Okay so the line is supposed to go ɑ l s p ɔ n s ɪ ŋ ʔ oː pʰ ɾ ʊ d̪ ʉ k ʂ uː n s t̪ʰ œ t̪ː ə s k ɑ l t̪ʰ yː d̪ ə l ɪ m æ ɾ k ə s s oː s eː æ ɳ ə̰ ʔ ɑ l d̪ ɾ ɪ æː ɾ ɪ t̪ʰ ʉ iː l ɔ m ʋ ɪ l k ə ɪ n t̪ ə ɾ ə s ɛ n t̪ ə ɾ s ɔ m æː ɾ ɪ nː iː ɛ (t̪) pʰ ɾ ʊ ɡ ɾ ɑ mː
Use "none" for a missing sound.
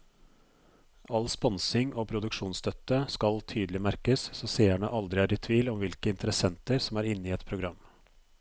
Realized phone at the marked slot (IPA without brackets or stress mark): t̪